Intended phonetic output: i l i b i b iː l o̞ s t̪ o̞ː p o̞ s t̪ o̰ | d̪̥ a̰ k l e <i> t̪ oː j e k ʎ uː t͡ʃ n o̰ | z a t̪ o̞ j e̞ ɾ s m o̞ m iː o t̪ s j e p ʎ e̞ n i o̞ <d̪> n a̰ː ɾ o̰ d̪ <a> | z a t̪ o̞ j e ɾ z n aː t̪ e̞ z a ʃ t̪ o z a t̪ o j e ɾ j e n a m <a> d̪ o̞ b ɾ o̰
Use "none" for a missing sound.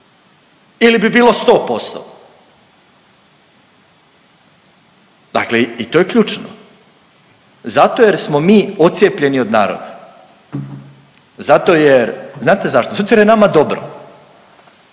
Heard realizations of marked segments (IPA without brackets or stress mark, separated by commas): i, d̪, a, a